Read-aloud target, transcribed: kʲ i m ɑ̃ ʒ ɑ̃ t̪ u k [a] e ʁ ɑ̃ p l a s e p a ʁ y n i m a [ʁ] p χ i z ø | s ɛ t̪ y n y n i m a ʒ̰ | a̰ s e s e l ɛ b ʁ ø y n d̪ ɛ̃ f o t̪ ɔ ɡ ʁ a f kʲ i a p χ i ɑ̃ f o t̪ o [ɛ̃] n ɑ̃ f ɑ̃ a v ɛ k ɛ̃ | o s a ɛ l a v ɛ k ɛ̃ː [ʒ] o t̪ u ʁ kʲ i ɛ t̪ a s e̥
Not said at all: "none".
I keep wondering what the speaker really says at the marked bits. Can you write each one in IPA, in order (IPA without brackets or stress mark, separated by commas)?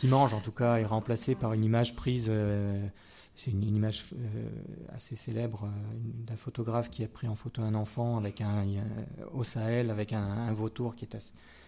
a, ʒ, ɛ̃, v